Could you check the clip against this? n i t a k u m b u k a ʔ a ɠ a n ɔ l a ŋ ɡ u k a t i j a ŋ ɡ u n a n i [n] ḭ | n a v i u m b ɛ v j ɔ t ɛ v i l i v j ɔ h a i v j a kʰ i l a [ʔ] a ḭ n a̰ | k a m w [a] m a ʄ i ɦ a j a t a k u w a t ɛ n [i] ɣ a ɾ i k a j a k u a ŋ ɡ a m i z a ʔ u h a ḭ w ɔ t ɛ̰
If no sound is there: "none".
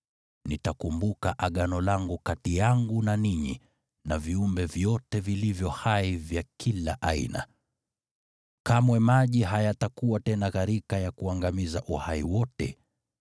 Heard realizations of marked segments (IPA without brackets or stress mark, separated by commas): ɲ, ʔ, ɛ, a